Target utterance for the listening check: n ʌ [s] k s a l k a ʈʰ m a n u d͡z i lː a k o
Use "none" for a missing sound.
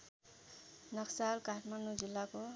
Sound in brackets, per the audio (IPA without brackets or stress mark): none